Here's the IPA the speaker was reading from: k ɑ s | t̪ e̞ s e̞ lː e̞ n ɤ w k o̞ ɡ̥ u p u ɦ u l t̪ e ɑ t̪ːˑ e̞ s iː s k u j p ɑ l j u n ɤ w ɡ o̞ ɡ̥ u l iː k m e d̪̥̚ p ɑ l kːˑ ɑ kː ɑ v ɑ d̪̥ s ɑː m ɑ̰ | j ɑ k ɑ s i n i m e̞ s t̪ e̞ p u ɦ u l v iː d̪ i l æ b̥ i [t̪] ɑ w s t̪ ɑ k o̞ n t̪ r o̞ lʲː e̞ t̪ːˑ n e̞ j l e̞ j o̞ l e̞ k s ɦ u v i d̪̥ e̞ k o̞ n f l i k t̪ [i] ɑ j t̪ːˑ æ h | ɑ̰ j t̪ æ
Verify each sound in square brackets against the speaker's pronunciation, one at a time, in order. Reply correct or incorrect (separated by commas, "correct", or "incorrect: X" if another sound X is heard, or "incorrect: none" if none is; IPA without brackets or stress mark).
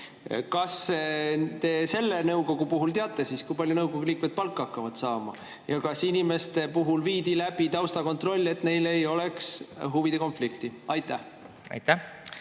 correct, correct